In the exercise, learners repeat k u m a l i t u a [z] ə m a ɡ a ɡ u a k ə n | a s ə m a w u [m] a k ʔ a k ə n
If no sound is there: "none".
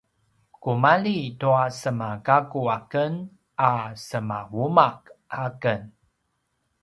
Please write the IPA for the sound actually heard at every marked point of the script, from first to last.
s, m

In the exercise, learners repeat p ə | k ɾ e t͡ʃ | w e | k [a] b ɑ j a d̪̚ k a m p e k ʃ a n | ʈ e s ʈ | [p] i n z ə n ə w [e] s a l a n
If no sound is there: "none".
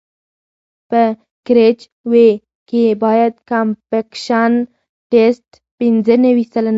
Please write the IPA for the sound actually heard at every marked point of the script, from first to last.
e, p, i

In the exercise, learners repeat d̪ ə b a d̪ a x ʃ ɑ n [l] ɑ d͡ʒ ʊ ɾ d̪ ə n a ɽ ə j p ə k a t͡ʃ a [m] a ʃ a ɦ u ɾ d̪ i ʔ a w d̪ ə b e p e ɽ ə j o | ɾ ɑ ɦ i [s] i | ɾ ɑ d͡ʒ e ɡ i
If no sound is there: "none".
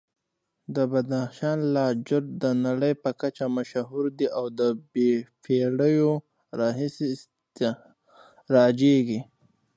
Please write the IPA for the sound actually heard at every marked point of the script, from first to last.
l, m, s

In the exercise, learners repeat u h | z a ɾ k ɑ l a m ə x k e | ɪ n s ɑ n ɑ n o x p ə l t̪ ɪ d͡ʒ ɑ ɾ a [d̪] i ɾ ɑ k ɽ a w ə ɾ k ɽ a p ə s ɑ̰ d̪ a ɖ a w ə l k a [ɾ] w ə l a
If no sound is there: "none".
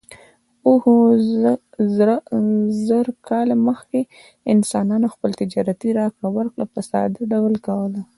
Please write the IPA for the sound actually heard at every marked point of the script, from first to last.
t̪, none

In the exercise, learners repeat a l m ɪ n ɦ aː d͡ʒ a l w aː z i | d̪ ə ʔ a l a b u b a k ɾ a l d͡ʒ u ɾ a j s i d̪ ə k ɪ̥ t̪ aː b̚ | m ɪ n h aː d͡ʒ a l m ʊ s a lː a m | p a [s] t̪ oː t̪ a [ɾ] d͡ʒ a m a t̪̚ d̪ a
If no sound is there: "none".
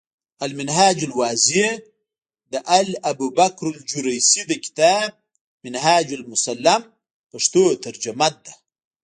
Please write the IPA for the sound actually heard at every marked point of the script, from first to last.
ʂ, ɾ

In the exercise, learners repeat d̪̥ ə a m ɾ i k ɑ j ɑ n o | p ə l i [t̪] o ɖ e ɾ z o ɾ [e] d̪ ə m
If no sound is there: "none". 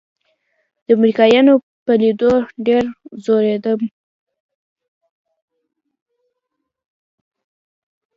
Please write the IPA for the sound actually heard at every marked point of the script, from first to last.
d̪, e

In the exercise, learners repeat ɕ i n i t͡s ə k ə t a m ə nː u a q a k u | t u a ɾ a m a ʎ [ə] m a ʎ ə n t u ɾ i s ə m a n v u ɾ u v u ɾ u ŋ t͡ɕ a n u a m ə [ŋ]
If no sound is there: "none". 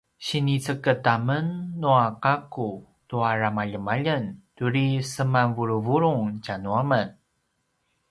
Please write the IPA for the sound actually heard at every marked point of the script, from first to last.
ə, n

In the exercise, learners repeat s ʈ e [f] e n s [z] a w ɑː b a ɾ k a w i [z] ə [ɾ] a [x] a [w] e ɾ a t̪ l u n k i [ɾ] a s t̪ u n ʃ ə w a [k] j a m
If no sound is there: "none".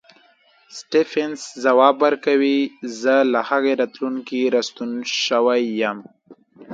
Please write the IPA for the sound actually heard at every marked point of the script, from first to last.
f, z, z, l, h, ɣ, ɾ, none

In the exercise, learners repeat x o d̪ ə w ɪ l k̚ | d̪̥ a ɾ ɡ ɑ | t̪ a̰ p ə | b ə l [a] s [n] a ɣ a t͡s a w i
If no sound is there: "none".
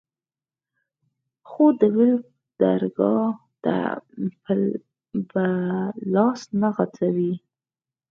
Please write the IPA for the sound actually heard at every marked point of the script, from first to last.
ɑ, n

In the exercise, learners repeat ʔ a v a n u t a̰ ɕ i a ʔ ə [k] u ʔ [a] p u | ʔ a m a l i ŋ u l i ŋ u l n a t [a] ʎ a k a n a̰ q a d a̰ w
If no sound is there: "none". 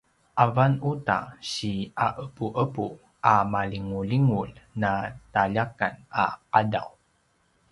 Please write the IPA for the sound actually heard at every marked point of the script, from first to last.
p, ə, a

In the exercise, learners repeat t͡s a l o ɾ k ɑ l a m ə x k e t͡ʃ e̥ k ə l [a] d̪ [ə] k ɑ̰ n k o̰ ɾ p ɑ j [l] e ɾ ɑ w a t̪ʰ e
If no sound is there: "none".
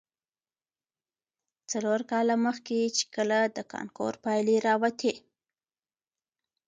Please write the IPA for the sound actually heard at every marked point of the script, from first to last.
a, ə, l

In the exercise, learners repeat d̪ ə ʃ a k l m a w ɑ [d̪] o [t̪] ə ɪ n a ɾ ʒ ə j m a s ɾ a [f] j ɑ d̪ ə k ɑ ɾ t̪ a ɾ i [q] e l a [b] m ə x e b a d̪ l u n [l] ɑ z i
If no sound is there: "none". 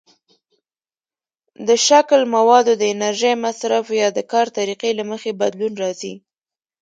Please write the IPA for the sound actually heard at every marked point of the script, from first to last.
d̪, d̪, f, q, none, ɾ

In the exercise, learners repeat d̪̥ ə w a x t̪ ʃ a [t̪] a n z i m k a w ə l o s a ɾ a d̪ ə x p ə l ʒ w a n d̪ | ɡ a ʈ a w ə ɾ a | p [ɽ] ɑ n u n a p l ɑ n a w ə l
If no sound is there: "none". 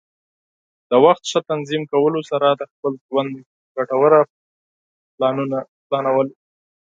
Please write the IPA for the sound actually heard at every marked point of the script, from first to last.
t̪, l

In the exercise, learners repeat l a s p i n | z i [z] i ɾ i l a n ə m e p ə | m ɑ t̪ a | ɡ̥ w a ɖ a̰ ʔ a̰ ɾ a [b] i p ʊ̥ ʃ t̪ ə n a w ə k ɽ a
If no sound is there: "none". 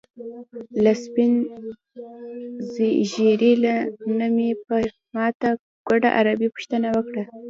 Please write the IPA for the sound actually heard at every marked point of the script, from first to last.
ʒ, b

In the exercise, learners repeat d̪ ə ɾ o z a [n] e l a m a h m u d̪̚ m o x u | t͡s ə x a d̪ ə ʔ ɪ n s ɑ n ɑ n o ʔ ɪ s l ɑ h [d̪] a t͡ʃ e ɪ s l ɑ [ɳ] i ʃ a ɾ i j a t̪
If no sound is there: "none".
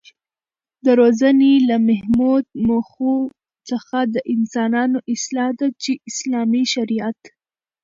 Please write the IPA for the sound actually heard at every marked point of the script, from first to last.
n, d̪, m

